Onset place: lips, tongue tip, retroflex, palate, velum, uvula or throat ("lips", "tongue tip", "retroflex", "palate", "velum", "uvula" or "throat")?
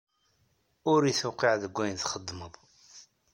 tongue tip